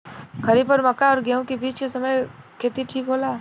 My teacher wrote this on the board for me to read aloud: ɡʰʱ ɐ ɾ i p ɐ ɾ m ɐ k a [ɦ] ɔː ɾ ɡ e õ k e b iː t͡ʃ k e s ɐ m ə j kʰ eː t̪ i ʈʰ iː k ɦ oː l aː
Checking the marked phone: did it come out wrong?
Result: yes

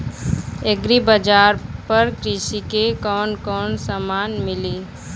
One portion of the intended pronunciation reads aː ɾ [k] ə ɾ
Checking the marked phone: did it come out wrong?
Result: yes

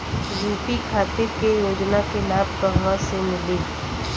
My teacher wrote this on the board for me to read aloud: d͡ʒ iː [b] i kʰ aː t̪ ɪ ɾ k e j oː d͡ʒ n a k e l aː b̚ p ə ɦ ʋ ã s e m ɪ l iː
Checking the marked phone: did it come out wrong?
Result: yes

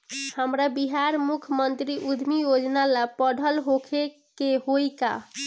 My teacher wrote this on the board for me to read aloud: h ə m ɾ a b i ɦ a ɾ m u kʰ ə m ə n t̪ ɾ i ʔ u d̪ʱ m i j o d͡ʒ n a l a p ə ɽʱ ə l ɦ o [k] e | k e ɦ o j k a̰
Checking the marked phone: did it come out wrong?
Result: yes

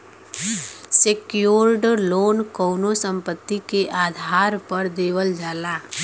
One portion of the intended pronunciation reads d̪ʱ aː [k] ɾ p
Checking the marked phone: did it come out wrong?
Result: yes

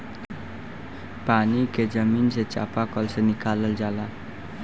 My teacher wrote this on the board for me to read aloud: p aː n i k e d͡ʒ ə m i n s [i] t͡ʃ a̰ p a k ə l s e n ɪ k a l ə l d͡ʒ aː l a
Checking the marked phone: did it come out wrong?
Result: yes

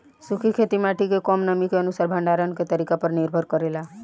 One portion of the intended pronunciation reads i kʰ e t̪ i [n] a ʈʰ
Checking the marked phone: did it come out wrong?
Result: yes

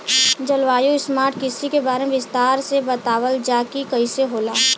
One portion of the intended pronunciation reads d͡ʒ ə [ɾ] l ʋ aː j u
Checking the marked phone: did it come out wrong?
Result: yes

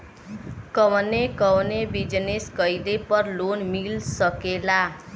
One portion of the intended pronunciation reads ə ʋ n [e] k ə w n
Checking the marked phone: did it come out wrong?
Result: no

